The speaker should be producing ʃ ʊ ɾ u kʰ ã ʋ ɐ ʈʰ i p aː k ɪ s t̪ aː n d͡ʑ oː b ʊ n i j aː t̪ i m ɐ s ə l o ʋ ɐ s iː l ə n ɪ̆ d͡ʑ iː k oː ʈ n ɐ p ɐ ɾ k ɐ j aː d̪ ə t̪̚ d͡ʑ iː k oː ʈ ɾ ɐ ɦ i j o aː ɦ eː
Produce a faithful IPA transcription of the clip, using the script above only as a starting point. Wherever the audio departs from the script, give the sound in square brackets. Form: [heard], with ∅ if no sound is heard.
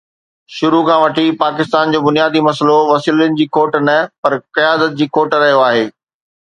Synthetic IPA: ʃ ʊ ɾ u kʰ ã ʋ ɐ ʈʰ i p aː k ɪ s t̪ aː n d͡ʑ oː b ʊ n i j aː [d̪] i m ɐ s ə l o ʋ ɐ s iː l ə n ɪ̆ d͡ʑ iː k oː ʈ n ɐ p ɐ ɾ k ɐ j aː d̪ ə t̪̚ d͡ʑ iː k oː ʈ ɾ ɐ ɦ i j o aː ɦ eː